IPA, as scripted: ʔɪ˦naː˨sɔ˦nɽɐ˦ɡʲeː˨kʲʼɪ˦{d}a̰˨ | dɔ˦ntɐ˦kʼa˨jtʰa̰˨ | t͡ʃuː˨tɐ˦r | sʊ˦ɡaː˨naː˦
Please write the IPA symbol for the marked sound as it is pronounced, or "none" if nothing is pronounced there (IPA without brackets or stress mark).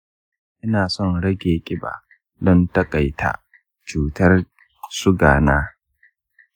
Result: b